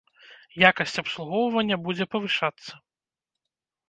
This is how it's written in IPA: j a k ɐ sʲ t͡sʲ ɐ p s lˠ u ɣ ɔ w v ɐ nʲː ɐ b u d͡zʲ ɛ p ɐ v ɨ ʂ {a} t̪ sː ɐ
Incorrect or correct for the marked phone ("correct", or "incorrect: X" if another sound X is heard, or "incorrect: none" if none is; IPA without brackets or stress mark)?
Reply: correct